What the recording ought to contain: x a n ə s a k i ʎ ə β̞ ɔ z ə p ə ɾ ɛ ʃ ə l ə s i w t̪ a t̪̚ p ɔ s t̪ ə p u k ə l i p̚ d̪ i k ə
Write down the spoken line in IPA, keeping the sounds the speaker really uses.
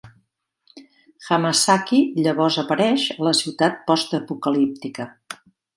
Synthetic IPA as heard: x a m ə s a k i ʎ ə β̞ ɔ z ə p ə ɾ ɛ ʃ ə l ə s i w t̪ a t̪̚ p ɔ s t̪ ə p u k ə l i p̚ t̪ i k ə

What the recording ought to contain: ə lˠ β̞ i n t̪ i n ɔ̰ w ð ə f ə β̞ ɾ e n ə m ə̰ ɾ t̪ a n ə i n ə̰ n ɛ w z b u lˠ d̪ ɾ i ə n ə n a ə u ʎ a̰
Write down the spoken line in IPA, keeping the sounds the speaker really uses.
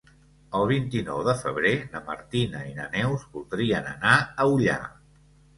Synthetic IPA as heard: ə lˠ β̞ i n t̪ i n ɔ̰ w ð ə f ə β̞ ɾ e n ə m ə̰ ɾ t̪ i n ə i n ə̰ n ɛ w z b u lˠ d̪ ɾ i ə n ə n a ə u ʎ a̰

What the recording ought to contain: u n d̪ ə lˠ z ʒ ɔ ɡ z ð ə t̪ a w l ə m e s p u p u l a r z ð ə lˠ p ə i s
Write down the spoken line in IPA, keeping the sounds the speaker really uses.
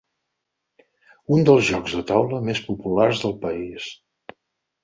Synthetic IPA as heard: u n d̪ ə lˠ z ʒ ɔ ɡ z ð ə t̪ a w l ə m e s p u p u l a r z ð ə lˠ p ə i s

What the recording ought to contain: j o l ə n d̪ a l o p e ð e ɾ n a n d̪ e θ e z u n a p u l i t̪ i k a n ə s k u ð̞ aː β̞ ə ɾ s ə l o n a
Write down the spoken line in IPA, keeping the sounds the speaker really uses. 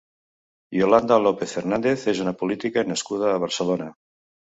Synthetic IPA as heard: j o l a n d̪ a l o p e θ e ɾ n a n d̪ e θ e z u n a p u l i t̪ i k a n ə s k u ð̞ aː β̞ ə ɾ s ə l o n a

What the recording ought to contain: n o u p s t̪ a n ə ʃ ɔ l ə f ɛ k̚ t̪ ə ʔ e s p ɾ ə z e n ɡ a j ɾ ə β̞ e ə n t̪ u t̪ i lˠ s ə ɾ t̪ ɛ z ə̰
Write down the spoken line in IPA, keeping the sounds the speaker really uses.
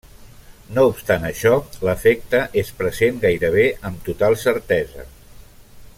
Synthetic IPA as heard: n o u p s t̪ a n ə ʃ ɔ l ə f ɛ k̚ t̪ ə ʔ e s p ɾ ə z e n ɡ a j ɾ ə β̞ e ə m t̪ u t̪ a lˠ s ə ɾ t̪ ɛ z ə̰

